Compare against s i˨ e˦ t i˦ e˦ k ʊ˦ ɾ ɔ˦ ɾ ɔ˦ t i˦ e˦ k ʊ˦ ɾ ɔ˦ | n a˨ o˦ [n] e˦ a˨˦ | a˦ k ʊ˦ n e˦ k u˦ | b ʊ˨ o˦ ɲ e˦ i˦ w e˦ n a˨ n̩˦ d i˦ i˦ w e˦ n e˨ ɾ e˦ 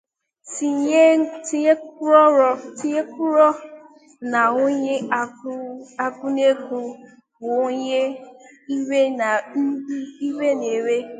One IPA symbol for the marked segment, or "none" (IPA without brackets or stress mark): ɲ